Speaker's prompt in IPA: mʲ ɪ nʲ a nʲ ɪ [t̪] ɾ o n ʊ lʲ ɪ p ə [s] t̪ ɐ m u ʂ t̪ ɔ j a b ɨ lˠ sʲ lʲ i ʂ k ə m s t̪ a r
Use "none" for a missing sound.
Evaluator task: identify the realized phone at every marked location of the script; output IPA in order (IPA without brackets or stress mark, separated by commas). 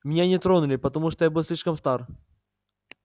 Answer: t̪, none